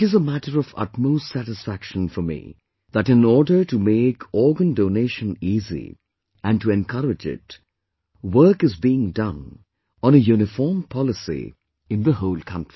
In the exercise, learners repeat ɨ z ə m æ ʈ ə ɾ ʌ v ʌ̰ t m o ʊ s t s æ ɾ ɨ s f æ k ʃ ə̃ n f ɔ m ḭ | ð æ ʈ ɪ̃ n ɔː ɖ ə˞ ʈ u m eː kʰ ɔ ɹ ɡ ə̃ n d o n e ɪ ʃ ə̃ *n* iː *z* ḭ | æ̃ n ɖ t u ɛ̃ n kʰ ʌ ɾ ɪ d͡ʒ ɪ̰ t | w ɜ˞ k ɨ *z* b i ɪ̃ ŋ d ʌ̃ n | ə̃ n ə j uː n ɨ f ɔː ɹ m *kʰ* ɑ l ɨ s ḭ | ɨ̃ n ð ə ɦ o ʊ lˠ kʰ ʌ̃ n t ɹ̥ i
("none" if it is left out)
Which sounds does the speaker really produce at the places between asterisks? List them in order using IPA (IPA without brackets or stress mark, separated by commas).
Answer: n, z, z, pʰ